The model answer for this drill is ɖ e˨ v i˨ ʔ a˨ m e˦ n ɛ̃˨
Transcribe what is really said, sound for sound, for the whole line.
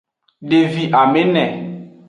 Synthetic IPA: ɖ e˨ v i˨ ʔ a˨ m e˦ n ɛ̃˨